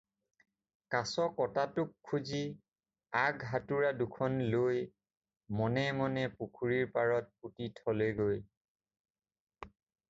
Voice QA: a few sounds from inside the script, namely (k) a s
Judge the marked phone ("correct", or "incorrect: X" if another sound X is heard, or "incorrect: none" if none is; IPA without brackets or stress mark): correct